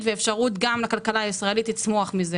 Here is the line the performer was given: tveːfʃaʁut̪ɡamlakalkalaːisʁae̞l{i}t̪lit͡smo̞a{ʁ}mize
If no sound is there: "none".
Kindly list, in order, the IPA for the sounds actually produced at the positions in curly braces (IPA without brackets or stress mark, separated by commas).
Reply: i, χ